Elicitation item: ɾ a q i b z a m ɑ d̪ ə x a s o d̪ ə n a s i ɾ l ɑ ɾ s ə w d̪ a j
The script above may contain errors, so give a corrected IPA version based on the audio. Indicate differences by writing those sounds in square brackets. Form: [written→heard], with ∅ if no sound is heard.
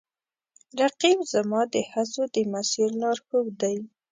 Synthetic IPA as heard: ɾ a q i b z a m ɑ d̪ ə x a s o d̪ ə [n→m] a s i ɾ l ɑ ɾ [s→x] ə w d̪ a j